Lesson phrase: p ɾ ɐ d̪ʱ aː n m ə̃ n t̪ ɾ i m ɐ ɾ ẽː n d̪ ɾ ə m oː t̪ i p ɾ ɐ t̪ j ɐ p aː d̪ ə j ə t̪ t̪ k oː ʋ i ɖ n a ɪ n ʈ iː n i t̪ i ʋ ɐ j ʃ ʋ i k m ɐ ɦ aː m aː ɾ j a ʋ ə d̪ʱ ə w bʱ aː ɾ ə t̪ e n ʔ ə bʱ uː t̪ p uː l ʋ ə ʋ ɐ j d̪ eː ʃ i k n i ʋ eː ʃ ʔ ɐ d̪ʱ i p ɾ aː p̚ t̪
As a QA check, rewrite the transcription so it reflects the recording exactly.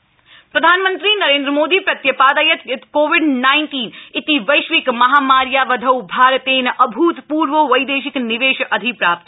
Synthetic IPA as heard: p ɾ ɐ d̪ʱ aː n m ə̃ n t̪ ɾ i n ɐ ɾ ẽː n d̪ ɾ ə m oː d̪ i p ɾ ɐ t̪ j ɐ p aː d̪ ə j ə t̪ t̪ k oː ʋ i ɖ n a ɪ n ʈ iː n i t̪ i ʋ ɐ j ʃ ʋ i k m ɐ ɦ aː m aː ɾ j a ʋ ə d̪ʱ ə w bʱ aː ɾ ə t̪ e n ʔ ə bʱ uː t̪ p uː ɾ ʋ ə ʋ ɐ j d̪ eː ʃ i k n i ʋ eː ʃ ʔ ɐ d̪ʱ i p ɾ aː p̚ t̪